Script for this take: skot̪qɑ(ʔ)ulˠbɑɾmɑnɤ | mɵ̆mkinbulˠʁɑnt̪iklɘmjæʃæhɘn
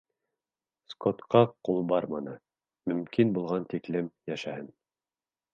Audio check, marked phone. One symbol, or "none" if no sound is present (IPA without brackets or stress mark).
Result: q